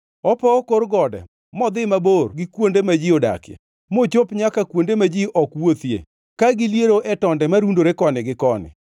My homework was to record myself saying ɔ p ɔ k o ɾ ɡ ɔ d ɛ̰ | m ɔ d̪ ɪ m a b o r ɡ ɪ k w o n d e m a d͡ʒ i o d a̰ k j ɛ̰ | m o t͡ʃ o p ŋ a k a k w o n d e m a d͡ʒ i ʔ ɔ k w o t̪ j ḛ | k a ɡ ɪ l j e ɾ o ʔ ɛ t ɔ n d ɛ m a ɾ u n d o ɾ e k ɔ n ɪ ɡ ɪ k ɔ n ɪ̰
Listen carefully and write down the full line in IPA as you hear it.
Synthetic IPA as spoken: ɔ p ɔ k o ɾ ɡ ɔ d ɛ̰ | m ɔ d̪ ɪ m a b o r ɡ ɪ k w o n d e m a d͡ʒ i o d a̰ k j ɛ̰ | m o t͡ʃ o p ɲ a k a k w o n d e m a d͡ʒ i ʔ ɔ k w o t̪ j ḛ | k a ɡ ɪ l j e ɾ o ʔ ɛ t ɔ n d ɛ m a ɾ u n d o ɾ e k ɔ n ɪ ɡ ɪ k ɔ n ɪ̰